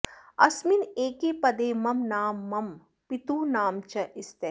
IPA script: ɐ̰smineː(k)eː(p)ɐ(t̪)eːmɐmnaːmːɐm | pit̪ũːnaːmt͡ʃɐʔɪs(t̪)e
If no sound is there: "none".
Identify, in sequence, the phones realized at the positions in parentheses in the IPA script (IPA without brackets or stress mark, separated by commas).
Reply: k, p, d̪, t̪